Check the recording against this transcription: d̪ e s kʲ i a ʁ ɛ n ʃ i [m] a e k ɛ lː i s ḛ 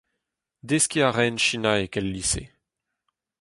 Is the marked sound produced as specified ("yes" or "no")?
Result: no